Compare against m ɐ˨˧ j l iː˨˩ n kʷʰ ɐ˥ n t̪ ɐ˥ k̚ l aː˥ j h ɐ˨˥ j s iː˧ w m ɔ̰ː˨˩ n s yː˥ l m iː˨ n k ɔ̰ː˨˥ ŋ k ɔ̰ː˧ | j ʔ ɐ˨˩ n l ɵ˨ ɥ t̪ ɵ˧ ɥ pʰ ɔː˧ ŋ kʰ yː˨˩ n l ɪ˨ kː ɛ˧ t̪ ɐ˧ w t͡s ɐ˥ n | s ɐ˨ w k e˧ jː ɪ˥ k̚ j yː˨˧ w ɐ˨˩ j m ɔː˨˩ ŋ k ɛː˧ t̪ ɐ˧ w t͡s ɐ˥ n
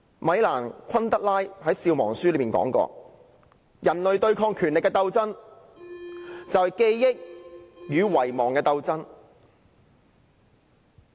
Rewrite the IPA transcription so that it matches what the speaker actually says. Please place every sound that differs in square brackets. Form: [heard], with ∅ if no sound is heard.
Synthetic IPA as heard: m ɐ˨˧ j l [aː˨˩] n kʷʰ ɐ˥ n t̪ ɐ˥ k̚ l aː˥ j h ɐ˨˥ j s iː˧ w m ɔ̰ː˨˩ [ŋ] s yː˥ l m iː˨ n k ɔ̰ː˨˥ ŋ k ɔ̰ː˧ | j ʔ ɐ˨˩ n l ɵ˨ ɥ t̪ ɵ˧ ɥ [kʰ] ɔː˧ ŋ kʰ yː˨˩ n l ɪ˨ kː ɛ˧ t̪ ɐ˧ w t͡s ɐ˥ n | [t͡s] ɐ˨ w k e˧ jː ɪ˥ k̚ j yː˨˧ w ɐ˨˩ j m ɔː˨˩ ŋ k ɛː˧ t̪ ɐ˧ w t͡s ɐ˥ n